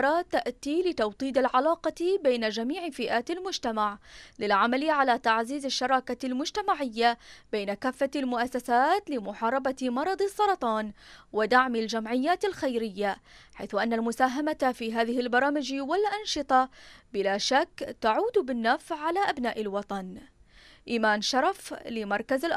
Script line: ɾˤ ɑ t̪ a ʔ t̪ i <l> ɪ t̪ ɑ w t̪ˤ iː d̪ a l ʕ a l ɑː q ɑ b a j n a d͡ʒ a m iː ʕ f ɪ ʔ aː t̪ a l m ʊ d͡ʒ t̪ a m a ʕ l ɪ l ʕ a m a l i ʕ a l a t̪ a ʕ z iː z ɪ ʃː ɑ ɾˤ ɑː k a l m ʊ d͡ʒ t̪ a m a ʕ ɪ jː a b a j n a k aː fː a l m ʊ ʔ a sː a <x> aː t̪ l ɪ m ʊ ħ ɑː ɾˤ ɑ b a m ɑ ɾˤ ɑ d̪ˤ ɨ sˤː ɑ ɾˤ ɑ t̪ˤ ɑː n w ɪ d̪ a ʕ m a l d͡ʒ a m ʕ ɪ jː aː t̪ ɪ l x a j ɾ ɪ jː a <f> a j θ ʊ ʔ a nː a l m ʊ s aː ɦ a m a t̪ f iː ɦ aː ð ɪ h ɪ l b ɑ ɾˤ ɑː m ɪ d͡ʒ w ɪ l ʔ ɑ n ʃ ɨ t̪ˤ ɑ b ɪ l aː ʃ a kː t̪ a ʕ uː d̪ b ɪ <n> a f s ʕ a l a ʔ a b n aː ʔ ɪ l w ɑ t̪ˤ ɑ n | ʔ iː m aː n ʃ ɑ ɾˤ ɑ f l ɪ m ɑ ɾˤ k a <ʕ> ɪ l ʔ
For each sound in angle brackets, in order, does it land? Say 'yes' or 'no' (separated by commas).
yes, no, no, no, no